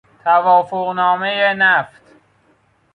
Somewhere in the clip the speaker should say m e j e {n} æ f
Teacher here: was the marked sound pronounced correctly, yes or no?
yes